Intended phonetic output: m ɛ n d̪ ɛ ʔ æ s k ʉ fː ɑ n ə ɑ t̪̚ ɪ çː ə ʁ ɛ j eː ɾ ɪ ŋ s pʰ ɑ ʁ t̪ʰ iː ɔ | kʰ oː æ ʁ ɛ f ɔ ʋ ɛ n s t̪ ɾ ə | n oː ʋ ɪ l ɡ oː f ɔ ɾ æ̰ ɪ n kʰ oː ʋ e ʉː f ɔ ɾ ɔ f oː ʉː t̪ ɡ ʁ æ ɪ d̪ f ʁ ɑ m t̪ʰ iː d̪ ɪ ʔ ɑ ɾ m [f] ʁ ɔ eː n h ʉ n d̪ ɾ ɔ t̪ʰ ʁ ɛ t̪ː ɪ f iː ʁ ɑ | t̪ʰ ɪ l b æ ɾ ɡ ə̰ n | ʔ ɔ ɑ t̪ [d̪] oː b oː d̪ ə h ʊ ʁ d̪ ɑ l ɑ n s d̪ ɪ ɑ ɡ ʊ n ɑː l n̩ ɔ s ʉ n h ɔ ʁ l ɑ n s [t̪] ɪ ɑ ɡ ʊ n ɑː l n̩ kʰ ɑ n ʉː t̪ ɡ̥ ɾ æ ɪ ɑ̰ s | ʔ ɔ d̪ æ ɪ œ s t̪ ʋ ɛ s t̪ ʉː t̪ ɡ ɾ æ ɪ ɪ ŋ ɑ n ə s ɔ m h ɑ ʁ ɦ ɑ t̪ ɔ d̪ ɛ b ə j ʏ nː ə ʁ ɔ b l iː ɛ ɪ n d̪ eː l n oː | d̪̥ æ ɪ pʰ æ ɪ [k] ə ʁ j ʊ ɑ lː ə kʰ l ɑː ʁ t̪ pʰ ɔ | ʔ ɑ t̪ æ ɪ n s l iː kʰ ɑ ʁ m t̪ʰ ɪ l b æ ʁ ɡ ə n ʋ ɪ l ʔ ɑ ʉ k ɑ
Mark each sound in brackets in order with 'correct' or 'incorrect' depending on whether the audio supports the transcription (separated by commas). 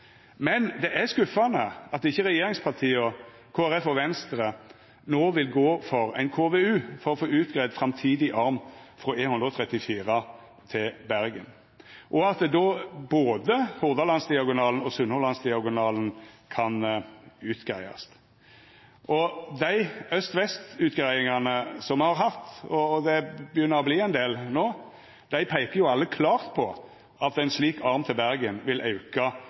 correct, correct, incorrect, correct